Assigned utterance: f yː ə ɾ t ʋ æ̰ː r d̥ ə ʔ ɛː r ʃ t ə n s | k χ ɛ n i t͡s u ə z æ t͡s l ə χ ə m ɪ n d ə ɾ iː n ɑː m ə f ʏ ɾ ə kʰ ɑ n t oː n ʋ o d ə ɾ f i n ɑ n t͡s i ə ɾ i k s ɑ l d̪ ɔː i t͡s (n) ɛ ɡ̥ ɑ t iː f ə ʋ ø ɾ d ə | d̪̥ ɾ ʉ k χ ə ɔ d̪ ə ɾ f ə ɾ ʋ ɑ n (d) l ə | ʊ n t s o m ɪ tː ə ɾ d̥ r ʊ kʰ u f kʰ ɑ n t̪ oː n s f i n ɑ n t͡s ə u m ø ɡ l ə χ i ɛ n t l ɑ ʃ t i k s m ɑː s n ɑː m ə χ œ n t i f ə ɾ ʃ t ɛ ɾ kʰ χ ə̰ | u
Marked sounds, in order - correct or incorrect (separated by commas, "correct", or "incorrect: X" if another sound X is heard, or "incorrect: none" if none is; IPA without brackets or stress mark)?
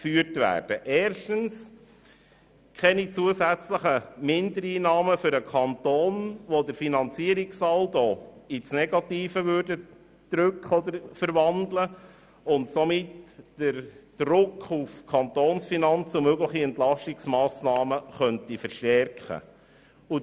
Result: correct, correct